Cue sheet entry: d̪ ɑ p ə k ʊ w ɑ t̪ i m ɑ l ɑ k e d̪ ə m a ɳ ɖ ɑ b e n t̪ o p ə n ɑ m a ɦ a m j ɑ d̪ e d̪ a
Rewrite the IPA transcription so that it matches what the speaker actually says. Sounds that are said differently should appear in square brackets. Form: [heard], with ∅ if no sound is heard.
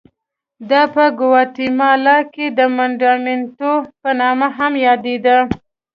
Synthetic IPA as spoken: d̪ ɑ p ə [ɡ] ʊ w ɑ t̪ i m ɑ l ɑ k e d̪ ə m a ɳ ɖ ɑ [m] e n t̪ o p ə n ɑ m a ɦ a m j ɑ d̪ e d̪ a